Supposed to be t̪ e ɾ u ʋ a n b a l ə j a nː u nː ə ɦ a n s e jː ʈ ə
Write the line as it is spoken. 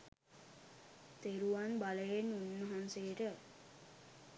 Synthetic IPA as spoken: t̪ e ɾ u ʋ a n b a l ə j e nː u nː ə ɦ a n s e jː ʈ ə